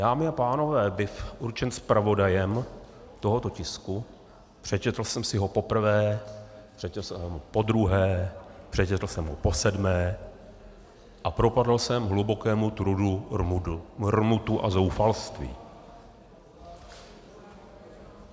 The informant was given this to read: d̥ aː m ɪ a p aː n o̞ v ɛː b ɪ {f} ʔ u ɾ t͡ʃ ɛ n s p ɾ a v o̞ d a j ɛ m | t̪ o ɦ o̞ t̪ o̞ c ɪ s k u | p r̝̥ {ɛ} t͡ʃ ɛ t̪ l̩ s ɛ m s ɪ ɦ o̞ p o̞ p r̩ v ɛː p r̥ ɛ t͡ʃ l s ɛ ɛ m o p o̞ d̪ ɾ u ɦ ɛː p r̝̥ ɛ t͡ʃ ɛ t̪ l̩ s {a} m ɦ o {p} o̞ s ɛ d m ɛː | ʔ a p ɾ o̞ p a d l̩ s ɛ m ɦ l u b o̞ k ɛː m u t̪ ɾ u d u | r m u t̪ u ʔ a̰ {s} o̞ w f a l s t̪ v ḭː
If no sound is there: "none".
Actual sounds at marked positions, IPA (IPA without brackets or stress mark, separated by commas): f, ɛ, ɛ, p, z